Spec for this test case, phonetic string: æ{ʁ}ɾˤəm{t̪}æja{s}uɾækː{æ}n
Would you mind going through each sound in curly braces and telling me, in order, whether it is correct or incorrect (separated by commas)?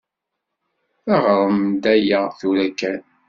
correct, incorrect, incorrect, correct